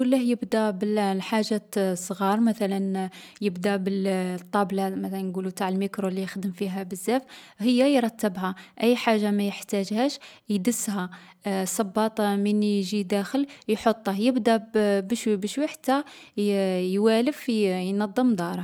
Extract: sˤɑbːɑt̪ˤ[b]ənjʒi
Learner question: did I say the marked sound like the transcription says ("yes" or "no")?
no